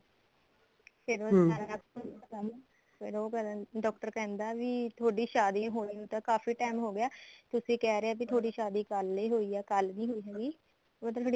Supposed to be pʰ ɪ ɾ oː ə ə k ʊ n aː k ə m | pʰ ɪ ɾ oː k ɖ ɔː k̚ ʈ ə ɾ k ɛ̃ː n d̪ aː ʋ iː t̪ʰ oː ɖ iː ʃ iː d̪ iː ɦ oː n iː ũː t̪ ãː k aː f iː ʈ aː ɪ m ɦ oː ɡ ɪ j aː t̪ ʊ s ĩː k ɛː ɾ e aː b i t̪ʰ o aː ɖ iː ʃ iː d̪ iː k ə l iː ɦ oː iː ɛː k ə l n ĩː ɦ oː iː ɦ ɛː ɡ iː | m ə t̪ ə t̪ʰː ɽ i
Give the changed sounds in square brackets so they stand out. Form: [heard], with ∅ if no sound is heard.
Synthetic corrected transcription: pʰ ɪ ɾ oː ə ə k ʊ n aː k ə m | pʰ ɪ ɾ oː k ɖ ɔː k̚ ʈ ə ɾ k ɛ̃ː n d̪ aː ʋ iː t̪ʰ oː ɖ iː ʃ [aː] d̪ iː ɦ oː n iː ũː t̪ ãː k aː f iː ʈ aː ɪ m ɦ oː ɡ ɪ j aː t̪ ʊ s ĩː k ɛː ɾ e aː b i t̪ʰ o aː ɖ iː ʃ [aː] d̪ iː k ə l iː ɦ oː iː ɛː k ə l n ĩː ɦ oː iː ɦ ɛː ɡ iː | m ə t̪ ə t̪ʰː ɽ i